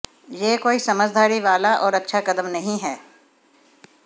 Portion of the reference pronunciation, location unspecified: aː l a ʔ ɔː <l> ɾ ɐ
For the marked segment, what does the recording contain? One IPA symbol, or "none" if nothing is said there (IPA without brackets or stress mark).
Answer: none